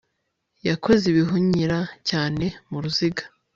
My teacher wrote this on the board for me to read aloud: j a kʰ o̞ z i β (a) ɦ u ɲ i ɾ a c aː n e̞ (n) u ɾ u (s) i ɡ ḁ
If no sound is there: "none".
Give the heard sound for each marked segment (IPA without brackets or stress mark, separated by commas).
i, m, z